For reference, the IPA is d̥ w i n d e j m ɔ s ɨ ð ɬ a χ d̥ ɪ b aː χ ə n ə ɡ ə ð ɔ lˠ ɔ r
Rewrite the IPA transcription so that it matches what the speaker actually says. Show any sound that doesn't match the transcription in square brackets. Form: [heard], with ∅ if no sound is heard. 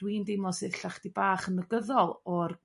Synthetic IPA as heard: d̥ w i n d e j m ɔ s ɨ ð ɬ a χ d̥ [i] b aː χ ə n ə ɡ ə ð ɔ lˠ ɔ r